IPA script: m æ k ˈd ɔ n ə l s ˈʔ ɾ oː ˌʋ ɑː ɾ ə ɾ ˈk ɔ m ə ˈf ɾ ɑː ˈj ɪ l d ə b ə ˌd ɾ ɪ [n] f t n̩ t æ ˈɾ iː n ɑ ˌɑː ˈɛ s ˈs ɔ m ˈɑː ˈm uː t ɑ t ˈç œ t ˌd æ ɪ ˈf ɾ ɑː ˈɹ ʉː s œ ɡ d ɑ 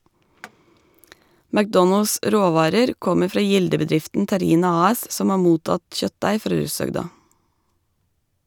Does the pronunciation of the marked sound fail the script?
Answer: yes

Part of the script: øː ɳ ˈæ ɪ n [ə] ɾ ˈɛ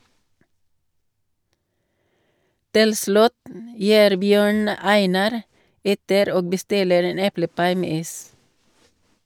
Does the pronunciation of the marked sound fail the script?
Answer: yes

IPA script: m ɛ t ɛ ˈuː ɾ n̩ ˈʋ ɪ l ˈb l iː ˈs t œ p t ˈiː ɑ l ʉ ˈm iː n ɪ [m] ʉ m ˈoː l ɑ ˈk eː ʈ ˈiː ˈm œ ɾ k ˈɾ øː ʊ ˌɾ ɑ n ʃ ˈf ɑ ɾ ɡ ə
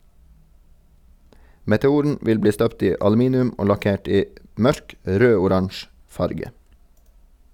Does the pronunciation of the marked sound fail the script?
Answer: yes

